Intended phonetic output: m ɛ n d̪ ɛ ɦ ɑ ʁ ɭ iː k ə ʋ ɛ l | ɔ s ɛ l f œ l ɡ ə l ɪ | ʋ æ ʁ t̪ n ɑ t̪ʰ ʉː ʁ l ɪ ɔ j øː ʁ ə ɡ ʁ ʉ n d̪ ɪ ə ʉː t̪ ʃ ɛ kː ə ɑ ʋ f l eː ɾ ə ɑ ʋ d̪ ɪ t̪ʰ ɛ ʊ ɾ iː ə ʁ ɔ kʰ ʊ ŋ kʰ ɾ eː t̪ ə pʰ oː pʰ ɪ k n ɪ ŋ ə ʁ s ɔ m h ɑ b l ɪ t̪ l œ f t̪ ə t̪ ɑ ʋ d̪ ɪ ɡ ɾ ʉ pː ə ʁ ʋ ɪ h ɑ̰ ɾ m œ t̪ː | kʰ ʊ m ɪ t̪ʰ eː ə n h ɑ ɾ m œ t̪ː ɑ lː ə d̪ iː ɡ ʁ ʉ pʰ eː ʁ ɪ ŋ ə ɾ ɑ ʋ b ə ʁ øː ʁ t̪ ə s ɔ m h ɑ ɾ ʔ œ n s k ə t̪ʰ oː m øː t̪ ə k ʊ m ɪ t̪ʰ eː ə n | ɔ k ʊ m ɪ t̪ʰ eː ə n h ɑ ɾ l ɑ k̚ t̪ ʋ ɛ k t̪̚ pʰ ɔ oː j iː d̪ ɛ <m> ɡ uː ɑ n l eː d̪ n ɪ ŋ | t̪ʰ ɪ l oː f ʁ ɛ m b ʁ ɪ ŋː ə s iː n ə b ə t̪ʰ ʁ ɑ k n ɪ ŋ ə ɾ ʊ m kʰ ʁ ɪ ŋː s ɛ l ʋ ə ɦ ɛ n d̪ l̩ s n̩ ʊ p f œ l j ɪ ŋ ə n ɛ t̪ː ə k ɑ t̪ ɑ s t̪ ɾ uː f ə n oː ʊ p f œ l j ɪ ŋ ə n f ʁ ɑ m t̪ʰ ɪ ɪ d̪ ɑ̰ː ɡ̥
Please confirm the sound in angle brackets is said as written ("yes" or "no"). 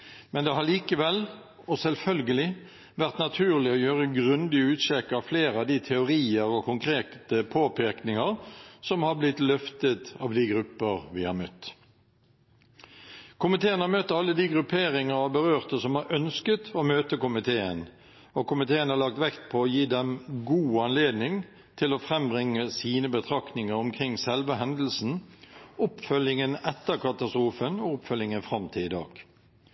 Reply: yes